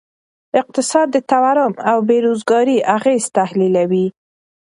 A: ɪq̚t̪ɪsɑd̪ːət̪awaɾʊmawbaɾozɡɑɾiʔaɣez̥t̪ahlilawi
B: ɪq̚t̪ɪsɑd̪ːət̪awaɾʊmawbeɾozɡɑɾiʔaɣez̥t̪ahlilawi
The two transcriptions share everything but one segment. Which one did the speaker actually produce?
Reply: B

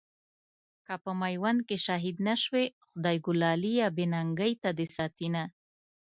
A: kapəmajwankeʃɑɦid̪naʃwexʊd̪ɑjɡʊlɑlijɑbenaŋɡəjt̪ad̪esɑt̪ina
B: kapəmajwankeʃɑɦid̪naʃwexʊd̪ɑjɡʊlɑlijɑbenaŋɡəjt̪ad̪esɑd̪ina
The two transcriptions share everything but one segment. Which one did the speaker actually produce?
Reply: A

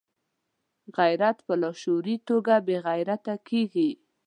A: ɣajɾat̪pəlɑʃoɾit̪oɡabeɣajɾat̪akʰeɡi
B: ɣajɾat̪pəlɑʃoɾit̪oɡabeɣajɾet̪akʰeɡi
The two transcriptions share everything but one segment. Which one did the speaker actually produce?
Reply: A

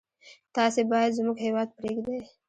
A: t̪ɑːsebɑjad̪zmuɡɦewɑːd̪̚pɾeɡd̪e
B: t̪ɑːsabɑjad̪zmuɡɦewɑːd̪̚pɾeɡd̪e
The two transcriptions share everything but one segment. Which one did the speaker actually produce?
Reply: A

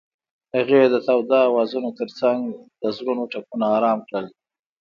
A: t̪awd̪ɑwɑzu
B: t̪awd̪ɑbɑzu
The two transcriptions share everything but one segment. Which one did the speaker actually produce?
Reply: A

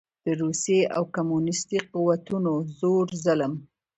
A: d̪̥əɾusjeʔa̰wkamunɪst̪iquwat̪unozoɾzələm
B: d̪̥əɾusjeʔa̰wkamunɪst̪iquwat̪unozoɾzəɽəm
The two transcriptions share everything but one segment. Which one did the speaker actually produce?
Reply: A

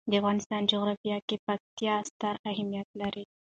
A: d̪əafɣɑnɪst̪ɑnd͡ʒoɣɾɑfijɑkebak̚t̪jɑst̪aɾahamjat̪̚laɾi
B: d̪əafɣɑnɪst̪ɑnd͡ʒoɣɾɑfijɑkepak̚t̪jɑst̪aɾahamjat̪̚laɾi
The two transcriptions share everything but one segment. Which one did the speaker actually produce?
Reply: B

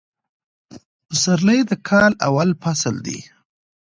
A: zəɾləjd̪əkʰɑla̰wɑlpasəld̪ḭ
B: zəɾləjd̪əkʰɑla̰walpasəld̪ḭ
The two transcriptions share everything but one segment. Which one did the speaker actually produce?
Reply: B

